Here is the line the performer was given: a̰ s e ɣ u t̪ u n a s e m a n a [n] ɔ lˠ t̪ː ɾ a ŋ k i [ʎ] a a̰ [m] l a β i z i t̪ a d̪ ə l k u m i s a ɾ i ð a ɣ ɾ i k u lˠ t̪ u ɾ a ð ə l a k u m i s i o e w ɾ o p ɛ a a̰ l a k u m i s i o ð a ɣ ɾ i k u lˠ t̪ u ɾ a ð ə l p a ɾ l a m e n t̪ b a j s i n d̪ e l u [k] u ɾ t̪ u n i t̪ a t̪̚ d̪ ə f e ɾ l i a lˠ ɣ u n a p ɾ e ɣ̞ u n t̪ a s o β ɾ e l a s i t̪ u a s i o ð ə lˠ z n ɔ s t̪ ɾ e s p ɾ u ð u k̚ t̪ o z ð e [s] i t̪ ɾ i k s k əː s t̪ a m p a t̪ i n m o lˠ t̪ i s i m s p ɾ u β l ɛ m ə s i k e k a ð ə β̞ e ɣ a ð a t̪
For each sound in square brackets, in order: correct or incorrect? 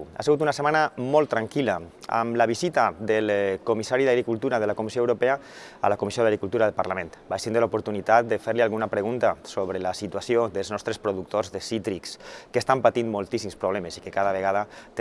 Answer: incorrect, incorrect, correct, incorrect, correct

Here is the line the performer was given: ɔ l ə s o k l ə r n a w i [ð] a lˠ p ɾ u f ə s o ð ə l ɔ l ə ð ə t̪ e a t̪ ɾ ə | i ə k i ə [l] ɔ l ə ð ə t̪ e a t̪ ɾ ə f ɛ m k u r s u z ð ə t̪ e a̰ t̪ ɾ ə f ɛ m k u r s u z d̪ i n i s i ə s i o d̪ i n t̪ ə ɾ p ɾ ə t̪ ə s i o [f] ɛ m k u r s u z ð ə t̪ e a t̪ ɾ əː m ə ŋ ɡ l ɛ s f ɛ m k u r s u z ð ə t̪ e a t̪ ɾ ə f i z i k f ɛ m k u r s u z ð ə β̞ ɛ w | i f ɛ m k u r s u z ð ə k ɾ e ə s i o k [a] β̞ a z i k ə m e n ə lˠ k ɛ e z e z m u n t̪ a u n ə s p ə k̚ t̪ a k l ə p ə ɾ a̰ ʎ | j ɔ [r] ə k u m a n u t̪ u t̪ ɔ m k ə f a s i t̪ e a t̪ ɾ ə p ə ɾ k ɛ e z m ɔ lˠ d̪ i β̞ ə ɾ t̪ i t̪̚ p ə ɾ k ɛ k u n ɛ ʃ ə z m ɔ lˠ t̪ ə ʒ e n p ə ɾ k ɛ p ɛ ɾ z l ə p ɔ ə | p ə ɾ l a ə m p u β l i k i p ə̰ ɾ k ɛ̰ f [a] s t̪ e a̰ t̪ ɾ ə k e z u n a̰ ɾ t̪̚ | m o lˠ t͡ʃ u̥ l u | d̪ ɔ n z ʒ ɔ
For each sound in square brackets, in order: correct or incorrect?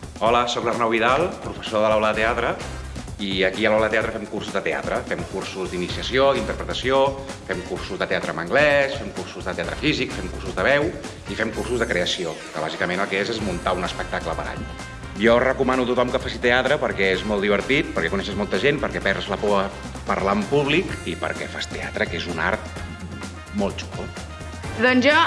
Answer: correct, correct, correct, incorrect, correct, correct

